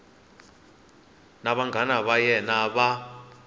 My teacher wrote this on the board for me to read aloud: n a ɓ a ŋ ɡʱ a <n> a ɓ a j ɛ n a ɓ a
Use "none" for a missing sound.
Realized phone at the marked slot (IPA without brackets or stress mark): n